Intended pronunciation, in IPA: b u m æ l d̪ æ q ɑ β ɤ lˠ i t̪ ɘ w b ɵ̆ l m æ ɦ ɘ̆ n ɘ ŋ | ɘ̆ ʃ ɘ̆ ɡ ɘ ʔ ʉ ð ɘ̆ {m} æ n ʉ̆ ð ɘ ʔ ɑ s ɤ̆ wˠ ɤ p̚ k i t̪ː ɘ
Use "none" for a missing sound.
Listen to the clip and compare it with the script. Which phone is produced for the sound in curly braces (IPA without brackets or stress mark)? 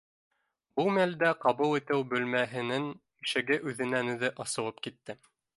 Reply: n